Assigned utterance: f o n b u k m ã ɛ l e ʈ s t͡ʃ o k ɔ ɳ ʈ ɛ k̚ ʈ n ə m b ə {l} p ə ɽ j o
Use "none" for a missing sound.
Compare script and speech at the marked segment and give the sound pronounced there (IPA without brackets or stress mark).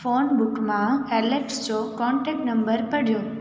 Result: ɾ